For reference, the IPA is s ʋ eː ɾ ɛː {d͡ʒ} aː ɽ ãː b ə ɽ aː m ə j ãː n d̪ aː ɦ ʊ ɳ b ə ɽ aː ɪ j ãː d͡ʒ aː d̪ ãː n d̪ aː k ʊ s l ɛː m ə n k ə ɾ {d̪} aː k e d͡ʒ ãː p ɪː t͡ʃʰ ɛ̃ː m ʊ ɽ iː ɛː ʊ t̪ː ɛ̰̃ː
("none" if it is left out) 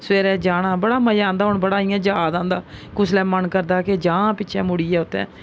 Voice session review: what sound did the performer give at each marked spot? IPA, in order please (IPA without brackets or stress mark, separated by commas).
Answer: d͡ʒ, d̪